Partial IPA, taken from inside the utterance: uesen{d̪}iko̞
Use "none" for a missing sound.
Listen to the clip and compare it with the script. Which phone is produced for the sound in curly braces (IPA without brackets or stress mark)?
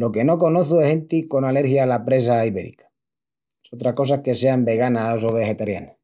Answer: t̪